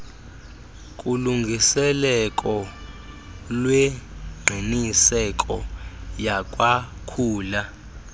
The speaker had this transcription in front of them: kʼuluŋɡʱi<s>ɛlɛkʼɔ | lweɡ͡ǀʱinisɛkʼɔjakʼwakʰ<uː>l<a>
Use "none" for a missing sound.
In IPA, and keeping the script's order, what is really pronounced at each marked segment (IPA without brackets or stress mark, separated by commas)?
s, uː, a